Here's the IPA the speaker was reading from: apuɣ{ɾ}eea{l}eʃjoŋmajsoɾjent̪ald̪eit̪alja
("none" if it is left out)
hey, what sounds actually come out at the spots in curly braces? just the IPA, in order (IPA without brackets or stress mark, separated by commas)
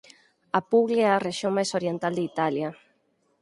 l, r